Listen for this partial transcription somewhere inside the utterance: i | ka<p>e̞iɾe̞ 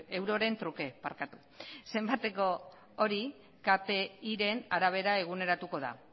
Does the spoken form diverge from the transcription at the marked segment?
no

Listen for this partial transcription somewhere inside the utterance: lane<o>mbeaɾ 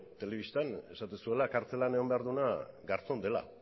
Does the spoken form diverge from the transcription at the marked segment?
no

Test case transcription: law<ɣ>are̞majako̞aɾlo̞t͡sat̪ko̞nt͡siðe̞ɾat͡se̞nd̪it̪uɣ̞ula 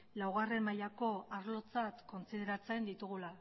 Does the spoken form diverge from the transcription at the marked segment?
no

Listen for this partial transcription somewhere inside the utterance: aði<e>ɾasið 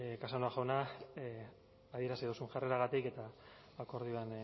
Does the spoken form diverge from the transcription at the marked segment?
no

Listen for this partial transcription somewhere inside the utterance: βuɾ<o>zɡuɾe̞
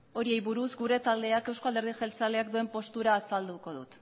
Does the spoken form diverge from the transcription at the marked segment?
yes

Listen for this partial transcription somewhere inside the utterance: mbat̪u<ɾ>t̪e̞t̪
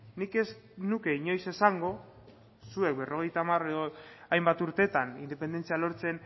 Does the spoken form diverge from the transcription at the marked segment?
no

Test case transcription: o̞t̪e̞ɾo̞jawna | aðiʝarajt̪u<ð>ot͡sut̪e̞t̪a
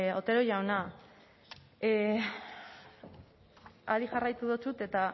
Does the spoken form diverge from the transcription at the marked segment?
no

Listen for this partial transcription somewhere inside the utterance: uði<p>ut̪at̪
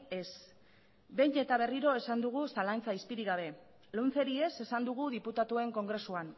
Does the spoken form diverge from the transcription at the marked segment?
no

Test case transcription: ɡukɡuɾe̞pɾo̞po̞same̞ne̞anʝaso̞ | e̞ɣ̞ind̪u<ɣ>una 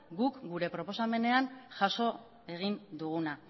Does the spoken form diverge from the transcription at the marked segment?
no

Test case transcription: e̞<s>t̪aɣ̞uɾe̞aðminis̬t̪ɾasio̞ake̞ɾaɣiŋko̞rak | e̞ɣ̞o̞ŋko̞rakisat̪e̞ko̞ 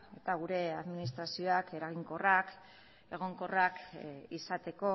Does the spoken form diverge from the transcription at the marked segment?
yes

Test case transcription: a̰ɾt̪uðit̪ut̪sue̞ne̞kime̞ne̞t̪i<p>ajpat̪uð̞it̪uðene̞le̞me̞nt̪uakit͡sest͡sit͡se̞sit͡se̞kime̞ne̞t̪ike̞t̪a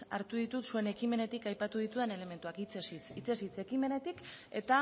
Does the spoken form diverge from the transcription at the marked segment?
yes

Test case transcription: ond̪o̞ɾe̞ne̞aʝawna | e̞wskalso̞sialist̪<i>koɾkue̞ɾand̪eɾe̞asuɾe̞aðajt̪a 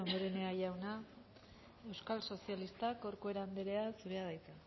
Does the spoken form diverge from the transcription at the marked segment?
yes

